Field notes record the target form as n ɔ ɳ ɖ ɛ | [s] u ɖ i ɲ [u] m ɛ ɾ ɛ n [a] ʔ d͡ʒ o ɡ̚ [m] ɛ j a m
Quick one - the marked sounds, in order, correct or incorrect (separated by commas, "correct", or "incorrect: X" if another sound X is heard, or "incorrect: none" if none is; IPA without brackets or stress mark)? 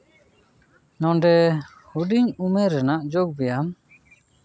incorrect: h, correct, correct, incorrect: b